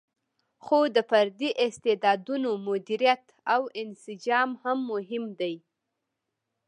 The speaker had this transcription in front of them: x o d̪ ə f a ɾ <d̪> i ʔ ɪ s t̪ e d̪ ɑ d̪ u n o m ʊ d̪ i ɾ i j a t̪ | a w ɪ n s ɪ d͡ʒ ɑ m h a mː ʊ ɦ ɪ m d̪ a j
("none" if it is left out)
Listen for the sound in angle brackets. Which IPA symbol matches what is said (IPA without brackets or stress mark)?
d̪